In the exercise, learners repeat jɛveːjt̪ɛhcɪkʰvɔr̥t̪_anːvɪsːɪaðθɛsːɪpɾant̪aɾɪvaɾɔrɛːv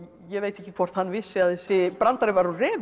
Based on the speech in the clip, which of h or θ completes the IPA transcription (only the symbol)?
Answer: h